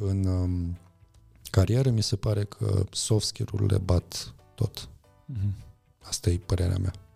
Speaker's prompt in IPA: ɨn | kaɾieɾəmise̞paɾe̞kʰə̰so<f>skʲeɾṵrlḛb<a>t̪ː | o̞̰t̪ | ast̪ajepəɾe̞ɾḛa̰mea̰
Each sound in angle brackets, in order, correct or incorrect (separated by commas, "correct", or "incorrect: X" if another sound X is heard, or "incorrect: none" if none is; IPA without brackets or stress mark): correct, correct